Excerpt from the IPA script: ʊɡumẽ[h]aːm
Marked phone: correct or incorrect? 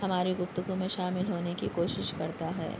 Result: incorrect: ʃ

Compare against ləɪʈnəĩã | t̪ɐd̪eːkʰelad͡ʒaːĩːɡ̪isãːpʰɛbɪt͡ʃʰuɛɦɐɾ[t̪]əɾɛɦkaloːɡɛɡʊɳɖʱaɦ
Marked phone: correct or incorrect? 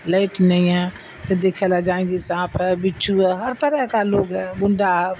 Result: correct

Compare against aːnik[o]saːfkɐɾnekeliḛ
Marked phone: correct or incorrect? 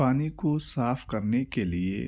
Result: correct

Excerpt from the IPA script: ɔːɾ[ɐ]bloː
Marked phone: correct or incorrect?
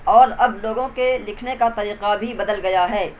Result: correct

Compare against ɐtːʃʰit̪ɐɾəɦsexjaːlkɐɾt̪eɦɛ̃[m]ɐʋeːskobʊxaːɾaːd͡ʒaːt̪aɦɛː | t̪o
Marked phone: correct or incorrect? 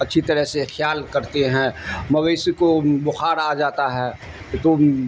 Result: correct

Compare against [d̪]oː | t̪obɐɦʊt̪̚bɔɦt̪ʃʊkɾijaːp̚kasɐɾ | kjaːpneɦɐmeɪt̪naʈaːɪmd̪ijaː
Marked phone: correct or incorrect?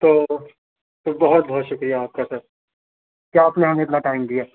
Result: incorrect: t̪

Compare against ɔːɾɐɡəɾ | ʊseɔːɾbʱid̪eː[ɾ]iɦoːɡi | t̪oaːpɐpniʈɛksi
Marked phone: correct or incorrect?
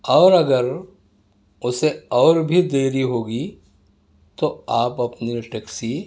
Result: correct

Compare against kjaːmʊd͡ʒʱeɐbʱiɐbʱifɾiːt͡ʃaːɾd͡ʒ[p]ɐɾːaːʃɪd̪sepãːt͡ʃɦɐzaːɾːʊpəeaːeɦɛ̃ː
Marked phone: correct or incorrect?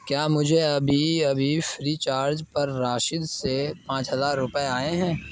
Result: correct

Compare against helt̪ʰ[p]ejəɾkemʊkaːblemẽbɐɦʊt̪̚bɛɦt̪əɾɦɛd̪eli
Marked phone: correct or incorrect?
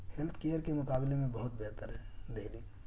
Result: incorrect: k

